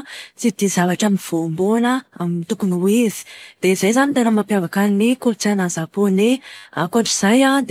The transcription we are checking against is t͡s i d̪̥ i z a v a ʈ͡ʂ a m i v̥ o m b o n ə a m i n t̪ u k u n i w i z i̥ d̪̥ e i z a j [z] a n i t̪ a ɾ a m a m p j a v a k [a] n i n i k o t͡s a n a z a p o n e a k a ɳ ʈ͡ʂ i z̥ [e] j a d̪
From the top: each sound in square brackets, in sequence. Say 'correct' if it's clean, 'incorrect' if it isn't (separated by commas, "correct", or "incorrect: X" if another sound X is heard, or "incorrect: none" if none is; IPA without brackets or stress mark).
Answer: correct, correct, incorrect: a